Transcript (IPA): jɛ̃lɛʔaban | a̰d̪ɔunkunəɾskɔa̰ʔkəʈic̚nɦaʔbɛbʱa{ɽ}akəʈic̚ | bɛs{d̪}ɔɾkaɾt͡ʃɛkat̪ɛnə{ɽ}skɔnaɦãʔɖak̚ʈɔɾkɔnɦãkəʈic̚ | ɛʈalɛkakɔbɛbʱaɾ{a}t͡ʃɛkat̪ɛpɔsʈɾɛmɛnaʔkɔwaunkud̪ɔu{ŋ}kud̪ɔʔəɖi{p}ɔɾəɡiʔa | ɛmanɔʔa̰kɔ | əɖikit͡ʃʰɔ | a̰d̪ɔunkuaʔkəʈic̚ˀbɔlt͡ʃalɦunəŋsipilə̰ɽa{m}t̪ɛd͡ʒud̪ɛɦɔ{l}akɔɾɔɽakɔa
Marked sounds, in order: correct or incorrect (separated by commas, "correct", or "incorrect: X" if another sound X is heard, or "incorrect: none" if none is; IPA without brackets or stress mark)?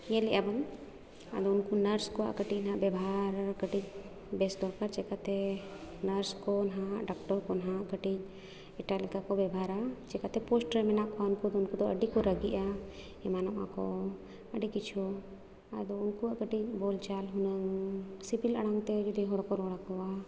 incorrect: ɾ, correct, incorrect: ɾ, correct, incorrect: n, incorrect: k, incorrect: ŋ, incorrect: ɽ